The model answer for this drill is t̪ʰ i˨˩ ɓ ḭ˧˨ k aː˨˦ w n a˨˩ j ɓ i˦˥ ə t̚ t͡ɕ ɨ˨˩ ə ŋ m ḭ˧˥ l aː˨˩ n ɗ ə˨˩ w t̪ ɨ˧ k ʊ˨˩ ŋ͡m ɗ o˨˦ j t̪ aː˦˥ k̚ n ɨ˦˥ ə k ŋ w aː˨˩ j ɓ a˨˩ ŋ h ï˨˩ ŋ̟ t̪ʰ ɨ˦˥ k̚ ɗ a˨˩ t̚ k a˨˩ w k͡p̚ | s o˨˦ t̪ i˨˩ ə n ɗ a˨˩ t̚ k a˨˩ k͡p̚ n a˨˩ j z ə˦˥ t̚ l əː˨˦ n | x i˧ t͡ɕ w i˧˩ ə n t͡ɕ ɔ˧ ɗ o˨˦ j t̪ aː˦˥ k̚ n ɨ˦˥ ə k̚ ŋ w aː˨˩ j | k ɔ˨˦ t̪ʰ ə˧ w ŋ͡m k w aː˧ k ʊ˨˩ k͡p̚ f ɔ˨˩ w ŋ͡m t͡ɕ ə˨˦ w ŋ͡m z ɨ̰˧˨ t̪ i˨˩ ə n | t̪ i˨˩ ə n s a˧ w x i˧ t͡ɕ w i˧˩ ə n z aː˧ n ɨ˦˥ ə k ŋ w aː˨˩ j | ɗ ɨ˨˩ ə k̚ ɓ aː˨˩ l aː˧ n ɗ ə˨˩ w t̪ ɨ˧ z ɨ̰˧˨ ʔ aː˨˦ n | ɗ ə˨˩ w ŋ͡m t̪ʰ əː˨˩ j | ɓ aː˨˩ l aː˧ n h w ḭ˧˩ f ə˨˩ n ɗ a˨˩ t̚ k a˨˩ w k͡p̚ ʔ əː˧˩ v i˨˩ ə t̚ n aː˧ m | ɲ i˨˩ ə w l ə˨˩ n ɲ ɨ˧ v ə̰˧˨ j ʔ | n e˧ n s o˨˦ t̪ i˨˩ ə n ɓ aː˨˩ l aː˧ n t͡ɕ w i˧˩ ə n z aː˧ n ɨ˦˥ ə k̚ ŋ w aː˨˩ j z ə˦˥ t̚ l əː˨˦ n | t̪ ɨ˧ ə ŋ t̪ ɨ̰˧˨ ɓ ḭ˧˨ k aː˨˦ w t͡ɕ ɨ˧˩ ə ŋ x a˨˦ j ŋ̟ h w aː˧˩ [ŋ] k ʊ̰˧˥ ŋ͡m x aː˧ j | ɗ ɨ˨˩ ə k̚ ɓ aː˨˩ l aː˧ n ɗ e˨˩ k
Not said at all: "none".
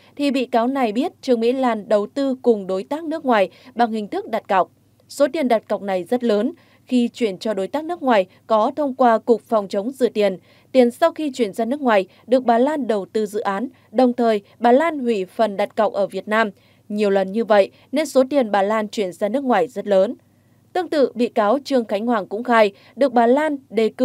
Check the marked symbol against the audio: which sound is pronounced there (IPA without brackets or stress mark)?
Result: ŋ